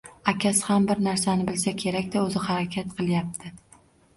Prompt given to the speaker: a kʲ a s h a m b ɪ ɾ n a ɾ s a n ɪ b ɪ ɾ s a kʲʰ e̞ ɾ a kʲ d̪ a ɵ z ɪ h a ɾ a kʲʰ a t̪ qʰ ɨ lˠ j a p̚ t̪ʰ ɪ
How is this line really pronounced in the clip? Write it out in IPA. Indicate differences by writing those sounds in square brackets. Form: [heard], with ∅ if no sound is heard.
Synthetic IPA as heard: a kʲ a s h a m b ɪ ɾ n a ɾ s a n ɪ b ɪ [l] s a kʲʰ e̞ ɾ a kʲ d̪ a ɵ z ɪ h a ɾ a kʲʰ a t̪ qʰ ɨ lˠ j a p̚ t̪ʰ ɪ

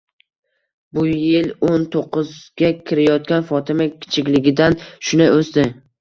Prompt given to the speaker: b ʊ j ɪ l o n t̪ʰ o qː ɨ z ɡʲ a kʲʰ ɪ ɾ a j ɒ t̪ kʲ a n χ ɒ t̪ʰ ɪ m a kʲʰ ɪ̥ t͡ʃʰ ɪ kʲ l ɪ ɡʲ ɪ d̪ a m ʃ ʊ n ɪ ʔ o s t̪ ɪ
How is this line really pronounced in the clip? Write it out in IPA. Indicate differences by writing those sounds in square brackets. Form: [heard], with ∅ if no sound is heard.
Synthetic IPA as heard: b ʊ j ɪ l o n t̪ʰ o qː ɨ z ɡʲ a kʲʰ ɪ ɾ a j ɒ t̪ kʲ a n [f] ɒ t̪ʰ ɪ m a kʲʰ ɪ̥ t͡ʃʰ ɪ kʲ l ɪ ɡʲ ɪ d̪ a [n] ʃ ʊ n ɪ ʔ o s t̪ ɪ

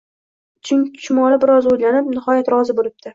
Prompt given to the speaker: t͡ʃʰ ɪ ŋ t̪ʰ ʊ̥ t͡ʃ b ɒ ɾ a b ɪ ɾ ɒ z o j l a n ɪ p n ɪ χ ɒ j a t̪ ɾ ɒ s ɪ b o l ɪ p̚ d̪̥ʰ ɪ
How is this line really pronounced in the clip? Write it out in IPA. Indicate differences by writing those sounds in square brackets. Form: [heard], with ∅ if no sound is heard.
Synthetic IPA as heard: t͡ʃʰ ɪ ŋ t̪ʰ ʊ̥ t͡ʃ [m] ɒ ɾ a b ɪ ɾ ɒ z o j l a n ɪ p n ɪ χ ɒ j a t̪ ɾ ɒ [z] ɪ b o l ɪ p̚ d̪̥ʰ ɪ

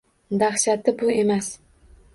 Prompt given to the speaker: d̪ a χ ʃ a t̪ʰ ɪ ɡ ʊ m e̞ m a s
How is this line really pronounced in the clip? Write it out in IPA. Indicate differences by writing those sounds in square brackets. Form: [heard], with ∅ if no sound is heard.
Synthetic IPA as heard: d̪ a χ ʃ a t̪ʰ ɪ [b] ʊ [∅] e̞ m a s

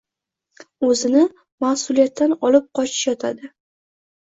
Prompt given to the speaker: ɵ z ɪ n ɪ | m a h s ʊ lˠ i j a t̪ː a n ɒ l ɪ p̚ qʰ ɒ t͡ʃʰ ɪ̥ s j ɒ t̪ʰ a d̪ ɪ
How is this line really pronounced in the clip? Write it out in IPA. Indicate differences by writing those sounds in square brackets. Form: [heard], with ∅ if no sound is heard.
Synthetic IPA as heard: ɵ z ɪ n ɪ | m a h s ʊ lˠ i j a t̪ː a n ɒ l ɪ p̚ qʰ ɒ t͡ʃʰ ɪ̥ [ʃ] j ɒ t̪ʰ a d̪ ɪ

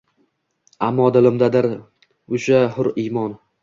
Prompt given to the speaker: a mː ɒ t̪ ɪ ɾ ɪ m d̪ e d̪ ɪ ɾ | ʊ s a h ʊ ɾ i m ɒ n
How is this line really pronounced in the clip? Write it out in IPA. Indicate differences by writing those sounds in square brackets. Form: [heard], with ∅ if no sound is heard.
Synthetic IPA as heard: a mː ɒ [d̪] ɪ [l] ɪ m d̪ [a] d̪ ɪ ɾ | ʊ [ʃ] a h ʊ ɾ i m ɒ n

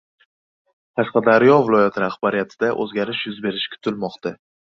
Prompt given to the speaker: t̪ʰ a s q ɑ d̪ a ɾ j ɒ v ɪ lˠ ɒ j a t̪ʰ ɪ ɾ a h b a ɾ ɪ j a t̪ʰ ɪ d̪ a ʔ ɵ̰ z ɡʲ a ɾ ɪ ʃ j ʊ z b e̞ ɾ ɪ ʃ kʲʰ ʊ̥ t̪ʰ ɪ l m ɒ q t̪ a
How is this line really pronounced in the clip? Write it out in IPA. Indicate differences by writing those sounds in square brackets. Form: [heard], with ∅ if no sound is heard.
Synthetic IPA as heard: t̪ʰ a s q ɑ d̪ a ɾ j ɒ v ɪ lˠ ɒ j a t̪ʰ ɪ ɾ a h b a ɾ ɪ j a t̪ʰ ɪ d̪ a ʔ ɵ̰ z ɡʲ a ɾ ɪ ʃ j ʊ z b e̞ ɾ ɪ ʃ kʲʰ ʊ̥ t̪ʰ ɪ l m ɒ q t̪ a

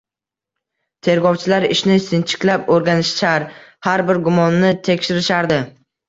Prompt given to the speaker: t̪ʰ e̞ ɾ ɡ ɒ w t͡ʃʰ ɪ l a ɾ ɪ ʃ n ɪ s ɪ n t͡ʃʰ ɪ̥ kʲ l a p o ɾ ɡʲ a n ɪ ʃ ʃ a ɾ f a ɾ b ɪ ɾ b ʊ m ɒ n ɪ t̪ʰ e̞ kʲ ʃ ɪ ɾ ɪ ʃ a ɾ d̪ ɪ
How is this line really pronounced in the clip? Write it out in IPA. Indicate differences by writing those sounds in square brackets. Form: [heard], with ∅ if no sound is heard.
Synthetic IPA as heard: t̪ʰ e̞ ɾ ɡ ɒ w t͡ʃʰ ɪ l a ɾ ɪ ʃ n ɪ s ɪ n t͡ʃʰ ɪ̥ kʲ l a p o ɾ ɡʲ a n ɪ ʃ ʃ a ɾ [h] a ɾ b ɪ ɾ [ɡ] ʊ m ɒ [nː] ɪ t̪ʰ e̞ kʲ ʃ ɪ ɾ ɪ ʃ a ɾ d̪ ɪ

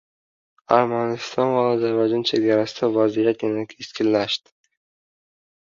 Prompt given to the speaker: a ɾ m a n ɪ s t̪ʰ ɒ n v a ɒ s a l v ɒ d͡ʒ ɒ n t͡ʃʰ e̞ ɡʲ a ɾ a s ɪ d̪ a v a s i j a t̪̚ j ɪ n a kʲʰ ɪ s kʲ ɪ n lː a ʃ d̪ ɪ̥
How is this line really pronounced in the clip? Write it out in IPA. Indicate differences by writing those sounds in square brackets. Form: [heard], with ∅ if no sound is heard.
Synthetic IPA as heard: a ɾ m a n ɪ s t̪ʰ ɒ n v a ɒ [z] a [ɾ] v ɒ d͡ʒ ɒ n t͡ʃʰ e̞ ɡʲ a ɾ a s ɪ d̪ a v a [z] i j a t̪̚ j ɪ n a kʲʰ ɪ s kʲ ɪ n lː a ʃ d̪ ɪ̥

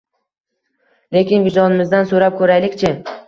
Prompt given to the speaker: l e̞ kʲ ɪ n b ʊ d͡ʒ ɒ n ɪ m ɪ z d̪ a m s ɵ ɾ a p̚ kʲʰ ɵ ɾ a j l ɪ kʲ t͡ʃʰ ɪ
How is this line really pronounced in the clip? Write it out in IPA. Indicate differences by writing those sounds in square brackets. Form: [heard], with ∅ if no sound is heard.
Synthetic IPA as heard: l e̞ kʲ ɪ n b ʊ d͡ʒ ɒ n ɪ m ɪ z d̪ a [n] s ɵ ɾ a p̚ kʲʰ ɵ ɾ a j l ɪ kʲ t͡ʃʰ ɪ

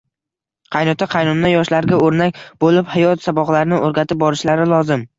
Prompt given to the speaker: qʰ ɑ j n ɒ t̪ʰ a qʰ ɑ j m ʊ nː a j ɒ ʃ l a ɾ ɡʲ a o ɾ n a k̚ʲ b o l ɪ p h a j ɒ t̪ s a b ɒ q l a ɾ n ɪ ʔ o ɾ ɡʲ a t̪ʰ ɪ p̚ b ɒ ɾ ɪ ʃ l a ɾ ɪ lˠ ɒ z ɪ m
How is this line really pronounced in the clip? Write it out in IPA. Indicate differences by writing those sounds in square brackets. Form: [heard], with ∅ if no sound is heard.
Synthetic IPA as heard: qʰ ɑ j n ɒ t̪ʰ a qʰ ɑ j [n] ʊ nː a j ɒ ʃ l a ɾ ɡʲ a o ɾ n a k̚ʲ b o l ɪ p h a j ɒ t̪ s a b ɒ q l a ɾ n ɪ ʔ o ɾ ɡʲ a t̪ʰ ɪ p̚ b ɒ ɾ ɪ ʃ l a ɾ ɪ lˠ ɒ z ɪ m

